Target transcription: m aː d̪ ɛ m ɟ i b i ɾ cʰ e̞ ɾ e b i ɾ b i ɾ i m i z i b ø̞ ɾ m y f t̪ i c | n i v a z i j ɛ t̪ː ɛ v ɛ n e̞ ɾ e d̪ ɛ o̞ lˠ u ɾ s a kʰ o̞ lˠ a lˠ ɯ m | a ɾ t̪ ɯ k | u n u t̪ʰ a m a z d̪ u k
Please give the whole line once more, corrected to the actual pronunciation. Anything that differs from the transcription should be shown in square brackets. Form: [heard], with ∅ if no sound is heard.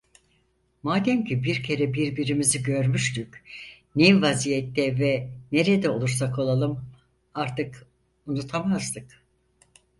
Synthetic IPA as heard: m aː d̪ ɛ m [c] i b i ɾ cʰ e̞ ɾ [ɛ] b i ɾ b i ɾ i m i z i [ɟ] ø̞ ɾ m y [ʃ] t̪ [y] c | n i v a z i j ɛ t̪ː ɛ v ɛ n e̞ ɾ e d̪ ɛ o̞ lˠ u ɾ s a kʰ o̞ lˠ a lˠ ɯ m | a ɾ t̪ ɯ k | u n u t̪ʰ a m a z d̪ [ɯ] k